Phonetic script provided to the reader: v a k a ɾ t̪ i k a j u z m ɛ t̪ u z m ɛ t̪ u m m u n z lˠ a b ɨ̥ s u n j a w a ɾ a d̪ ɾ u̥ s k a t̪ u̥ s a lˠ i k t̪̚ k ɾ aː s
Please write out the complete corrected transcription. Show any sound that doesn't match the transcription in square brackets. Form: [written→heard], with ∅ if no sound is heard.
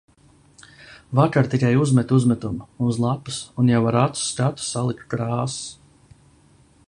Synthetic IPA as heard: v a k a ɾ t̪ i k a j u z m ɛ t̪ u z m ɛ t̪ u m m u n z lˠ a [b→p] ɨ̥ s u n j a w a ɾ a [d̪→t̪] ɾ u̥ s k a t̪ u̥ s a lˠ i k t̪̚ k ɾ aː s

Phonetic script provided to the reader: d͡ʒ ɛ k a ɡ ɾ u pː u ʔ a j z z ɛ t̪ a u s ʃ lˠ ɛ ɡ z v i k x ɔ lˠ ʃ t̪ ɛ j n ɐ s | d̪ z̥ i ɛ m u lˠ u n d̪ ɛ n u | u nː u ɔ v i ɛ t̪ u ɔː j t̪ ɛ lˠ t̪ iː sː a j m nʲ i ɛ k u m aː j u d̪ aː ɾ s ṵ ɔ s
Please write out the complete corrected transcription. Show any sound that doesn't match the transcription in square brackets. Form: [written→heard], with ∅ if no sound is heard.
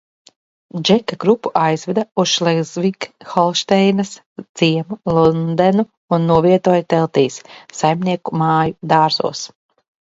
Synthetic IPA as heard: d͡ʒ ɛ k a ɡ ɾ u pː u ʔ a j z [z→v] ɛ [t̪→d̪] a u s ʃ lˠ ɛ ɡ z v i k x ɔ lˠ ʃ t̪ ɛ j n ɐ s | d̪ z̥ i ɛ m u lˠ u n d̪ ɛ n u | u nː u ɔ v i ɛ t̪ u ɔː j t̪ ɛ lˠ t̪ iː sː a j m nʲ i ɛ k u m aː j u d̪ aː ɾ [s→z] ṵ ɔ s

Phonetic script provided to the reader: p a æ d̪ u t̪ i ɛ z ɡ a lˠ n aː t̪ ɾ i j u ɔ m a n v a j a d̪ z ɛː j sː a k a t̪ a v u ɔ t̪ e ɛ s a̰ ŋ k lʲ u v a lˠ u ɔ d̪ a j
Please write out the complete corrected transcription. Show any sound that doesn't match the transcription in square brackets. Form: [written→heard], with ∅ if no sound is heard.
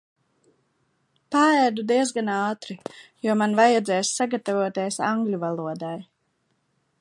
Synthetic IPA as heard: p a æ d̪ u [t̪→d̪] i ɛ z ɡ a [lˠ→∅] n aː t̪ ɾ i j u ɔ m a n v a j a d̪ z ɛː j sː a [k→ɡ] a t̪ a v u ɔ t̪ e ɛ s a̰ ŋ [k→ɡ] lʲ u v a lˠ u ɔ d̪ a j

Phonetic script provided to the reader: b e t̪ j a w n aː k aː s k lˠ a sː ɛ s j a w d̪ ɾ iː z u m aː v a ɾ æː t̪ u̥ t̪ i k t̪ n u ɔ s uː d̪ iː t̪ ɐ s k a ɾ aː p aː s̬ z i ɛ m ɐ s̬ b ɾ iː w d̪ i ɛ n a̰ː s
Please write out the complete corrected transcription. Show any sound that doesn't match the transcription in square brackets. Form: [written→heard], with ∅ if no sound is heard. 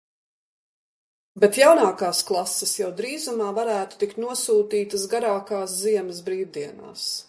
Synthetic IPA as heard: b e t̪ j a w n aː k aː s k lˠ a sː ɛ s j a w d̪ ɾ iː z u m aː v a ɾ æː t̪ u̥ t̪ i k t̪ n u ɔ s uː [d̪→t̪] iː t̪ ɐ s [k→ɡ] a ɾ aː [p→k] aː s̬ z i ɛ m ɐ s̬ b ɾ iː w d̪ i ɛ n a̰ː s

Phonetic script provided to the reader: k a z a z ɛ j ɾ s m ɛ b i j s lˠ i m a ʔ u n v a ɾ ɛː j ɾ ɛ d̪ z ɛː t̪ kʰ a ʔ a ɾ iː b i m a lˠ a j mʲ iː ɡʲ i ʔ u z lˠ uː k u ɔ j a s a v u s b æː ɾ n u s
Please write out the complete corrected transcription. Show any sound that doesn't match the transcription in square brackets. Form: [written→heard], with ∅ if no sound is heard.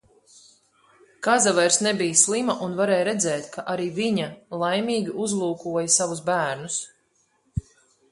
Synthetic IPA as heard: k a z a [z→v] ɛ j ɾ s [m→n] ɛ b i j s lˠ i m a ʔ u n v a ɾ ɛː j ɾ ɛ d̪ z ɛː t̪ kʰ a ʔ a ɾ iː [b→v] i [m→ɲ] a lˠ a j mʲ iː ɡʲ i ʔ u z lˠ uː k u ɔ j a s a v u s b æː ɾ n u s

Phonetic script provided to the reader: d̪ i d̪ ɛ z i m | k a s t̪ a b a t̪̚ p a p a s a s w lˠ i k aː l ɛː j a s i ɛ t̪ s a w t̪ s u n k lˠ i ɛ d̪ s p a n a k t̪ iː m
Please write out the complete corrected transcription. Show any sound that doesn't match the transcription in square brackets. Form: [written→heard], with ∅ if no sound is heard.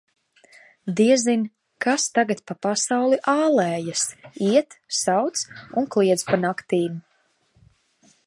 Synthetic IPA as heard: d̪ i [d̪→∅] ɛ z i [m→n] | k a s t̪ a [b→ɡ] a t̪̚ p a p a s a [s→∅] w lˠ i [k→ʔ] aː l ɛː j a s i ɛ t̪ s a w t̪ s u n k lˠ i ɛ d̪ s p a n a k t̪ iː m

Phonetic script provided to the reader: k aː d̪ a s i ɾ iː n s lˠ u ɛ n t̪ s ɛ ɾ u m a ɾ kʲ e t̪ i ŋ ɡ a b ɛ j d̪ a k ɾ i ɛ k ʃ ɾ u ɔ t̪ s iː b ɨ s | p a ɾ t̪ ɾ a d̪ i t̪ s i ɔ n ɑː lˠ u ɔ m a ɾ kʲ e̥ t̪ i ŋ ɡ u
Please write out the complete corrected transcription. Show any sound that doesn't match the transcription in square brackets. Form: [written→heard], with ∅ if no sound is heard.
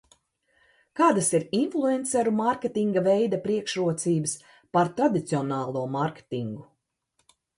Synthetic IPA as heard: k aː d̪ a s i ɾ [iː→i] n [s→f] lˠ u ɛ n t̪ s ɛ ɾ u m a ɾ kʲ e t̪ i ŋ ɡ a [b→v] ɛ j d̪ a [k→p] ɾ i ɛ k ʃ ɾ u ɔ t̪ s iː b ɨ s | p a ɾ t̪ ɾ a d̪ i t̪ s i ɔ n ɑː lˠ u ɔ m a ɾ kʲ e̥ t̪ i ŋ ɡ u

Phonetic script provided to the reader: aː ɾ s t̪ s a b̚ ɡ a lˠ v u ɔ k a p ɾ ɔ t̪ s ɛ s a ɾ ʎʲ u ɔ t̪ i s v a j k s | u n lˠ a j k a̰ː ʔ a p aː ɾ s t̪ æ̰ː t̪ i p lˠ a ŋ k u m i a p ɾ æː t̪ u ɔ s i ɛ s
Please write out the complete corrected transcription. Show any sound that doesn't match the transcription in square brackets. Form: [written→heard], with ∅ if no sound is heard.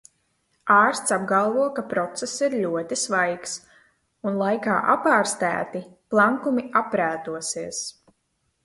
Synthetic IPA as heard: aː ɾ s t̪ s a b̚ ɡ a lˠ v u ɔ k a p ɾ ɔ t̪ s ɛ s [a→i] ɾ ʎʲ u ɔ t̪ i s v a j k s | u n lˠ a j k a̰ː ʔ a p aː ɾ s t̪ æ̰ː t̪ i p lˠ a ŋ k u m i a p ɾ æː t̪ u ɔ s i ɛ s

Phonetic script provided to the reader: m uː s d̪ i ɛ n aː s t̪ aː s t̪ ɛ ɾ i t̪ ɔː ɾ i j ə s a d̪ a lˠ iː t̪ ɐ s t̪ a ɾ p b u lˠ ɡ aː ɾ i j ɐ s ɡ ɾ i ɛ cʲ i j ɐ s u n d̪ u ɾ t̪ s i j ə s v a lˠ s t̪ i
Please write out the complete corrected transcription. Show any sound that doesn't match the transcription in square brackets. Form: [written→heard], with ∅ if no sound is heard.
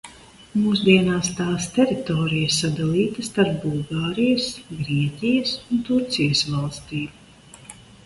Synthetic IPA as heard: m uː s d̪ i ɛ n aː s t̪ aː s t̪ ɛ ɾ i t̪ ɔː ɾ i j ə s a d̪ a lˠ iː t̪ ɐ s t̪ a ɾ p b u lˠ ɡ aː ɾ i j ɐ s ɡ ɾ i ɛ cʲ i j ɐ s u n [d̪→t̪] u ɾ t̪ s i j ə s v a lˠ s t̪ [i→iː]

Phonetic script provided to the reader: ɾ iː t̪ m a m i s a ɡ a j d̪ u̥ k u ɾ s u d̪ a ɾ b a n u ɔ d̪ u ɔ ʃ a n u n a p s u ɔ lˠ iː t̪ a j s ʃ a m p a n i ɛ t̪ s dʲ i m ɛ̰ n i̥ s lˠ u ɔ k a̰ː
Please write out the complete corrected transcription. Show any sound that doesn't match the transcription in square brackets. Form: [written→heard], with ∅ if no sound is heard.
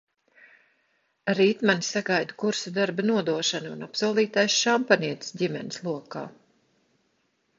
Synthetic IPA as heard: ɾ iː t̪ m a [m→n] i s a ɡ a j d̪ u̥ k u ɾ s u d̪ a ɾ b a n u ɔ d̪ u ɔ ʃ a n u n a p s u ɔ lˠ iː t̪ a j s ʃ a m p a n i ɛ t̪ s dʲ i m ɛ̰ n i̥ s lˠ u ɔ k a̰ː

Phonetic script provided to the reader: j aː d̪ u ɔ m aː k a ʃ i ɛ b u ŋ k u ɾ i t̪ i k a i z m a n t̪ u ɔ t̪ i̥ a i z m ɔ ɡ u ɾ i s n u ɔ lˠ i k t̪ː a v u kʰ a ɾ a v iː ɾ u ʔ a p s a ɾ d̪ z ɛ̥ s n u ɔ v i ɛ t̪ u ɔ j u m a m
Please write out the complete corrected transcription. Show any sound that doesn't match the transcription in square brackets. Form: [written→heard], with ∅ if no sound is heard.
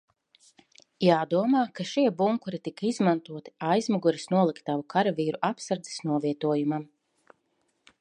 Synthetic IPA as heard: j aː d̪ u ɔ m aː k a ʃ i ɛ b u ŋ k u ɾ i t̪ i k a i z m a n t̪ u ɔ t̪ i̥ a [i→j] z m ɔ ɡ u ɾ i s n u ɔ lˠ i k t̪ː a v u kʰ a ɾ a v iː ɾ u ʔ a p s a ɾ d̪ z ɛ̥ s n u ɔ v i ɛ t̪ u ɔ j u m a m

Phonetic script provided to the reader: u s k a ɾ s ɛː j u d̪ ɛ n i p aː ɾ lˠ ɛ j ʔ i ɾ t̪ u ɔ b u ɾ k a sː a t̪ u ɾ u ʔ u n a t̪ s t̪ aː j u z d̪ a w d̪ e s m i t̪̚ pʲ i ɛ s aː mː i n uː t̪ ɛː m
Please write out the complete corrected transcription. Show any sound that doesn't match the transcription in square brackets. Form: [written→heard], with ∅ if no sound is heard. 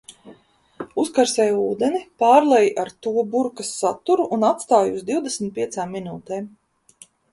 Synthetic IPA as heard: u s k a ɾ s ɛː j [u→uː] d̪ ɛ n i p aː ɾ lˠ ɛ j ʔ [i→a] ɾ t̪ u ɔ b u ɾ k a sː a t̪ u ɾ u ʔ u n a t̪ s t̪ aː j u z d̪ [a→i] w d̪ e s m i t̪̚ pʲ i ɛ s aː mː i n uː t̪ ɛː m

